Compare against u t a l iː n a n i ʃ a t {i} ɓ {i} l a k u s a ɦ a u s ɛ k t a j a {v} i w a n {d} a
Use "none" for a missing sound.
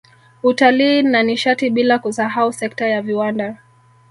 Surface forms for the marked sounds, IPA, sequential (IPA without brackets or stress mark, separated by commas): i, i, v, d